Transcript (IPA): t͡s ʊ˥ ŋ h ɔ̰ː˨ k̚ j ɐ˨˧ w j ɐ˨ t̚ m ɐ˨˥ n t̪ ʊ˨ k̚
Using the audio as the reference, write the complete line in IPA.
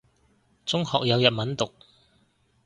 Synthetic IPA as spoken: t͡s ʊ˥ ŋ h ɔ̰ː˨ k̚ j ɐ˨˧ w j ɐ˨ t̚ m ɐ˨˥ n t̪ ʊ˨ k̚